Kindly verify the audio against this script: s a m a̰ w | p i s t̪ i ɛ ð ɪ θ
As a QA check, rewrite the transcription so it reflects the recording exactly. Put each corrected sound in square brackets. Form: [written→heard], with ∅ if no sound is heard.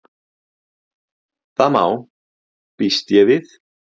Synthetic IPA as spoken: [s→θ] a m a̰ w | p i s t̪ [i→j] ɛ [ð→v] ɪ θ